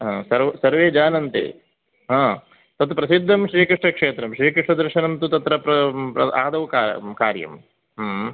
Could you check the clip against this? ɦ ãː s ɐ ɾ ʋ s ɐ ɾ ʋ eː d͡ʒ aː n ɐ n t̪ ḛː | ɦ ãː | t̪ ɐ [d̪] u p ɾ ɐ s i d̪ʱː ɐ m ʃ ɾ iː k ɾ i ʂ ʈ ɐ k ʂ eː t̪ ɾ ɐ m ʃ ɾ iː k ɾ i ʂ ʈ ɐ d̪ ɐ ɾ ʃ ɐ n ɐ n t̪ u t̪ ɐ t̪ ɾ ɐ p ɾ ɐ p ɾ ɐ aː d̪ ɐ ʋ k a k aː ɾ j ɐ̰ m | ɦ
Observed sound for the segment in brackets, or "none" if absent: t̪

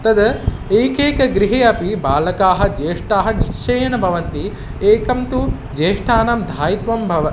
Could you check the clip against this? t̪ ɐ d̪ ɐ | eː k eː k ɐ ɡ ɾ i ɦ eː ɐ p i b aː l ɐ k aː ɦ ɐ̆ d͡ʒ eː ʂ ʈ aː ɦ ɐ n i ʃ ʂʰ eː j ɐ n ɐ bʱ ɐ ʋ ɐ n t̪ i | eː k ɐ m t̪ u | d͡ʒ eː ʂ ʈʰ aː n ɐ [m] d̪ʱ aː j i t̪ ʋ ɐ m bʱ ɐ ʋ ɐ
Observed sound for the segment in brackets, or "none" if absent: m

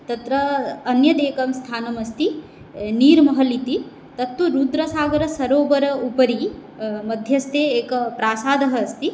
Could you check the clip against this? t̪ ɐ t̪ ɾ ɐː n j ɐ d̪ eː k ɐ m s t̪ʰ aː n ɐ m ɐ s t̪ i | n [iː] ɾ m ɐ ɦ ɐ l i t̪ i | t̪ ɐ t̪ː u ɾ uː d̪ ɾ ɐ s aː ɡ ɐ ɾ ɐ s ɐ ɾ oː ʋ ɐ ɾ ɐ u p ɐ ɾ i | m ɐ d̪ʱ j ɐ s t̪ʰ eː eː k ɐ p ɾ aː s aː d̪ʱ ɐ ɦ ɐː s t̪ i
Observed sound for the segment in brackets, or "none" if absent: iː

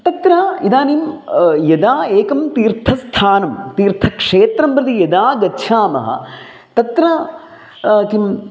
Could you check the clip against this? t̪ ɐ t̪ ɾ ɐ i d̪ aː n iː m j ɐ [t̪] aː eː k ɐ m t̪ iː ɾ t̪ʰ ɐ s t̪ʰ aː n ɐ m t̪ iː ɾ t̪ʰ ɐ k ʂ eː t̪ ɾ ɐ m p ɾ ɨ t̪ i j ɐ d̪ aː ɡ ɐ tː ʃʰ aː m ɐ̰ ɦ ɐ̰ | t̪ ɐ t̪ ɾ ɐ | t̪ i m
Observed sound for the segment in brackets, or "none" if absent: d̪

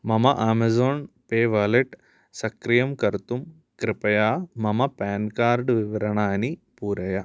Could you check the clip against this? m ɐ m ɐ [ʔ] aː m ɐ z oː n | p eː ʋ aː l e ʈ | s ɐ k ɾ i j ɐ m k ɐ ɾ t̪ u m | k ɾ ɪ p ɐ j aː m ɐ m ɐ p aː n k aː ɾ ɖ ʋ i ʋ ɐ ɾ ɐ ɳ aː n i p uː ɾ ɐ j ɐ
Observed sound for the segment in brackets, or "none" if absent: ʔ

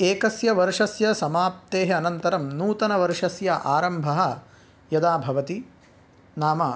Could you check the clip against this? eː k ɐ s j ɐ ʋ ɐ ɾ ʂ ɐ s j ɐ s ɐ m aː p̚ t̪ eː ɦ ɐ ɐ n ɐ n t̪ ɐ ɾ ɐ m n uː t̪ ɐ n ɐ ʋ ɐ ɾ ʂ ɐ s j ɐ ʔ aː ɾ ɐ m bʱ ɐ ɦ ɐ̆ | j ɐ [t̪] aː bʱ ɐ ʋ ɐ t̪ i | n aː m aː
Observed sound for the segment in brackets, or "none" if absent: d̪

